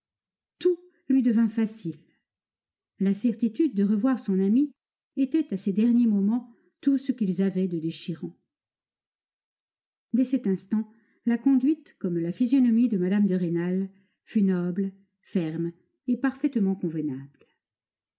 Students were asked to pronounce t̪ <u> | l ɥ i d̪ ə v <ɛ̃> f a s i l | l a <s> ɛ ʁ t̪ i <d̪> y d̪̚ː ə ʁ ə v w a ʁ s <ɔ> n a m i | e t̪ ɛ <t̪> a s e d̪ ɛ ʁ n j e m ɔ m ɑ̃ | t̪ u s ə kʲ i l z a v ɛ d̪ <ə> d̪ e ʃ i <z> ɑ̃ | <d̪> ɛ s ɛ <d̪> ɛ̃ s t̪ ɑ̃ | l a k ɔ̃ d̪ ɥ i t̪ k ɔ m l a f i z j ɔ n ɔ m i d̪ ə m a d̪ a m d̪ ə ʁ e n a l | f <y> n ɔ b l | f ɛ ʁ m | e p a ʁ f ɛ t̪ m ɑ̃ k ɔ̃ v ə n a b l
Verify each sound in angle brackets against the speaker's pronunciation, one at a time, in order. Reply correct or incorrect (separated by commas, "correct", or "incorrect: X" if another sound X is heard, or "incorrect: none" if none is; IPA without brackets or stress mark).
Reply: correct, correct, correct, incorrect: t̪, incorrect: ɔ̃, correct, correct, incorrect: ʁ, correct, incorrect: t̪, correct